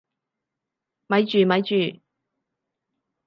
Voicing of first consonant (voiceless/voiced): voiced